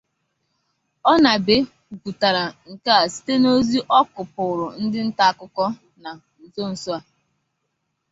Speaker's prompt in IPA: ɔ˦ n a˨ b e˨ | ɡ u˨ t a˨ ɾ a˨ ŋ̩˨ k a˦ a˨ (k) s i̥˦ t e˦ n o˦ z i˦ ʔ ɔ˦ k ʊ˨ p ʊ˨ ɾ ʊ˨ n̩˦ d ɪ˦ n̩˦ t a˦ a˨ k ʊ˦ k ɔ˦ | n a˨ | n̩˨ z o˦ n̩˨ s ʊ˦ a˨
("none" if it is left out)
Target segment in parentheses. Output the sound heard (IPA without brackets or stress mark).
none